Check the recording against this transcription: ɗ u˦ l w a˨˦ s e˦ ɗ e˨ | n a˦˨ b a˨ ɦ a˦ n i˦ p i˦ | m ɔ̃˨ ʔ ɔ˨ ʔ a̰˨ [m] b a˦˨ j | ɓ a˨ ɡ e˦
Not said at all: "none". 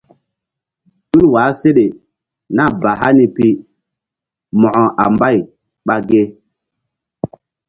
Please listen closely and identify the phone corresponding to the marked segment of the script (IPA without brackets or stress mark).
m